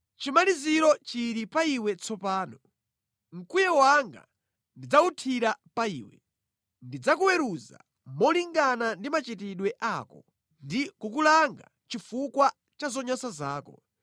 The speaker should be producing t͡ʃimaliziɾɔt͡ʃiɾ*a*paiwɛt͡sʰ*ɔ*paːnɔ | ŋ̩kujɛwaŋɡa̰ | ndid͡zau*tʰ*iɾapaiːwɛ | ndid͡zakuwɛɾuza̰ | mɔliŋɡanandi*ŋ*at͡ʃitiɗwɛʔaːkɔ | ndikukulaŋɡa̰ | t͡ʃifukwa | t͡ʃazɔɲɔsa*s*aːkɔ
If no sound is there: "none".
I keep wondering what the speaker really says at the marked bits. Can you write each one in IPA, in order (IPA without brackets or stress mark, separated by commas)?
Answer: i, ɔ, tʰ, m, z